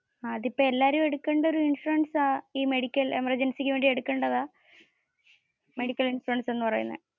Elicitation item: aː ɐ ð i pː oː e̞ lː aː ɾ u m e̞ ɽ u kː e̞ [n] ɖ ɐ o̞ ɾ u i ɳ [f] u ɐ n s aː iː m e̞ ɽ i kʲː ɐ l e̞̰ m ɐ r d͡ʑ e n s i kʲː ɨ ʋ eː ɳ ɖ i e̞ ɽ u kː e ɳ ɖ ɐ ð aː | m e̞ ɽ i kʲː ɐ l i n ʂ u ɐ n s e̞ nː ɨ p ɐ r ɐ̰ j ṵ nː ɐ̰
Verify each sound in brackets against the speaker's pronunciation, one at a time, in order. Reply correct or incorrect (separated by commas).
incorrect, incorrect